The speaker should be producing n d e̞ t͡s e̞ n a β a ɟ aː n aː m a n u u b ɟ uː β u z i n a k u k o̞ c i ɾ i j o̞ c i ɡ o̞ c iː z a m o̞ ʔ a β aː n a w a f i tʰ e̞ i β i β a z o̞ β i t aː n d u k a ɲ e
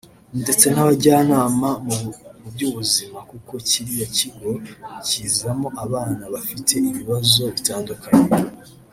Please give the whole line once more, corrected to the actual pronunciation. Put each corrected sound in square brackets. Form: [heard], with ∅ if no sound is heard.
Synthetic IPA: n d e̞ t͡s e̞ n a β a ɟ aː n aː m a [m] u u b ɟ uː β u z i [m] a k u k o̞ c i ɾ i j o̞ c i ɡ o̞ c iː z a m o̞ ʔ a β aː n a [β] a f i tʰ e̞ i β i β a z o̞ β i t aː n d u k a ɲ e

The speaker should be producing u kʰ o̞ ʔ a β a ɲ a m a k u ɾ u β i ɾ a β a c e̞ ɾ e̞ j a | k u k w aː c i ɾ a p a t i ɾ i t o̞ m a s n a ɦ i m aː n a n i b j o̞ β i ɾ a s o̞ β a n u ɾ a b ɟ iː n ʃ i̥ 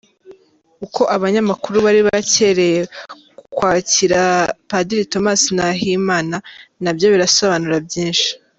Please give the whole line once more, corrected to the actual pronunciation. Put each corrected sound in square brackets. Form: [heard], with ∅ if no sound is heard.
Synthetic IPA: u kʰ o̞ ʔ a β a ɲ a m a k u ɾ u β [a] ɾ [i] β a c e̞ ɾ e̞ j [e] | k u k w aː c i ɾ a p a [d] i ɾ i t o̞ m a s n a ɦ i m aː n a n [a] b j o̞ β i ɾ a s o̞ β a n u ɾ a b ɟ iː n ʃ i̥

